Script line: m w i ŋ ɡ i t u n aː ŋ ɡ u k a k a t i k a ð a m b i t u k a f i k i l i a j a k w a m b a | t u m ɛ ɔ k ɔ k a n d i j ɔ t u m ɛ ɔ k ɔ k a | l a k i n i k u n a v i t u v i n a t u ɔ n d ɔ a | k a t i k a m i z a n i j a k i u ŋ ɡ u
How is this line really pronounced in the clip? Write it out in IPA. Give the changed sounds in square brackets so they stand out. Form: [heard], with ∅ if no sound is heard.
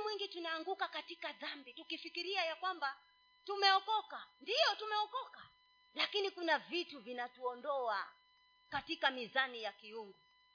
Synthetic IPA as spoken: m w i ŋ ɡ i t u n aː ŋ ɡ u k a k a t i k a ð a m b i t u k [i] f i k i [ɾ] i a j a k w a m b a | t u m ɛ ɔ k ɔ k a n d i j ɔ t u m ɛ ɔ k ɔ k a | l a k i n i k u n a v i t u v i n a t u ɔ n d ɔ a | k a t i k a m i z a n i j a k i u ŋ ɡ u